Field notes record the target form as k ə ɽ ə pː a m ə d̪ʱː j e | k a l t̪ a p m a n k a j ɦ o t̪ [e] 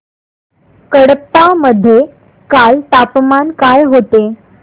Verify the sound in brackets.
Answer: correct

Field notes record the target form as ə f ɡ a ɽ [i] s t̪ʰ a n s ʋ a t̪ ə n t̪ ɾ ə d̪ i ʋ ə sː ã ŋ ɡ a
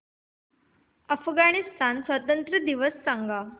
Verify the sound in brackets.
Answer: correct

